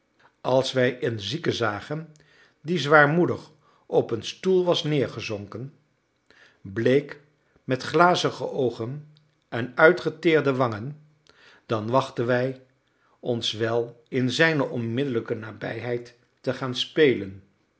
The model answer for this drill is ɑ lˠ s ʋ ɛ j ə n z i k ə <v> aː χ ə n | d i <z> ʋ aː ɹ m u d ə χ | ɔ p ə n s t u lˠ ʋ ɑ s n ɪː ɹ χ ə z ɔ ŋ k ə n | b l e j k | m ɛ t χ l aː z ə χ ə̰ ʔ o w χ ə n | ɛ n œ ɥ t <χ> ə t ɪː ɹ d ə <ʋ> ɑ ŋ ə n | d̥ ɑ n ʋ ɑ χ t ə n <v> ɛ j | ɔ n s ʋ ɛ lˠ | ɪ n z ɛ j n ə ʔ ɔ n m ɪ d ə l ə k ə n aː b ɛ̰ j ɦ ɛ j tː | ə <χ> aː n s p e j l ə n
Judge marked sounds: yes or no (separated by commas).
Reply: no, yes, yes, yes, no, yes